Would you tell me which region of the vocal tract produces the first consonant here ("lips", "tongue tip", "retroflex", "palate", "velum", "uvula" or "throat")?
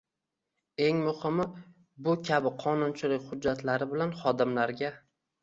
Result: velum